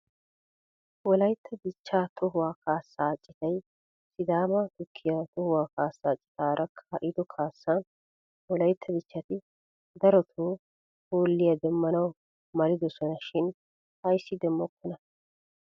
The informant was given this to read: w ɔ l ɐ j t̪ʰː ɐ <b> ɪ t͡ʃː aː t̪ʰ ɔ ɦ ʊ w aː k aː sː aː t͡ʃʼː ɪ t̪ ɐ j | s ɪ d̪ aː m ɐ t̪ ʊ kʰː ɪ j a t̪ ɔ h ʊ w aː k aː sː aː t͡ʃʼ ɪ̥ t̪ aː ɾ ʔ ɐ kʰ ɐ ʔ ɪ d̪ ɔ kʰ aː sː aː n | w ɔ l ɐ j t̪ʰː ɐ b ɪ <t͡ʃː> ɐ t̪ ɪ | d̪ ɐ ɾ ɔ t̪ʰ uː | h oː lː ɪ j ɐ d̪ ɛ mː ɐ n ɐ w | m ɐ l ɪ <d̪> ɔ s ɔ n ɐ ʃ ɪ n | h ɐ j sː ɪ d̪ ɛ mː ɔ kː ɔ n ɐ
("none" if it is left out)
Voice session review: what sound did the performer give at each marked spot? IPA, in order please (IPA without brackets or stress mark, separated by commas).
b, t͡ʃː, d̪